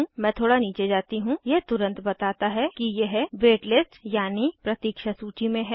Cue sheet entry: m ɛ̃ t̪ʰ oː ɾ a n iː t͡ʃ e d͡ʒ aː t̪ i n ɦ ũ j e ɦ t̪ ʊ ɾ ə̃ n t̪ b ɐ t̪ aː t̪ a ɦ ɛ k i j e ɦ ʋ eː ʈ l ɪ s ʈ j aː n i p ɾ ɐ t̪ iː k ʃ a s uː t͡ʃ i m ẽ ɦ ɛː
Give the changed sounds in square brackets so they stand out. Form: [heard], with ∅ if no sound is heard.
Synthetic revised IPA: m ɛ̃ t̪ʰ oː [ɽ] a n iː t͡ʃ e d͡ʒ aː t̪ i [∅] ɦ ũ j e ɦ t̪ ʊ ɾ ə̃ n t̪ b ɐ t̪ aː t̪ a ɦ ɛ k i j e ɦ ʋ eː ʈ l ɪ s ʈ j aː n i p ɾ ɐ t̪ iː k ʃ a s uː t͡ʃ i m ẽ ɦ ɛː